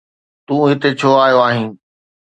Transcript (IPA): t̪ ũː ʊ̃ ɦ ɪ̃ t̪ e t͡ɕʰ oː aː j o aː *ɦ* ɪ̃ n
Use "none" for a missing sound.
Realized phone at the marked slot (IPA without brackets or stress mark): ɦ